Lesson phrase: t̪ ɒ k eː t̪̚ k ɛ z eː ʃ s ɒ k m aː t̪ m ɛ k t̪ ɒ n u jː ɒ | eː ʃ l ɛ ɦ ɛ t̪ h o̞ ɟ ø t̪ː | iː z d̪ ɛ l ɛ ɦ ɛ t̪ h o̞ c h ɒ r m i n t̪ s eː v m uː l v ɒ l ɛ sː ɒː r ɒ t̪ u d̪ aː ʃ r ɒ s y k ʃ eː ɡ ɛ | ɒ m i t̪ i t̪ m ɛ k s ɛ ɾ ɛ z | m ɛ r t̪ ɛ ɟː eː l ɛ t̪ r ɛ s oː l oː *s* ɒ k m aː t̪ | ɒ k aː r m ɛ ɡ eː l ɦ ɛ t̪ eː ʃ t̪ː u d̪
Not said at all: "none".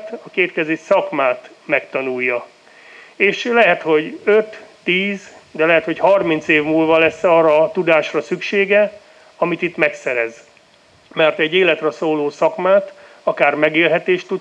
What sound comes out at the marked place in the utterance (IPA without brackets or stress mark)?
s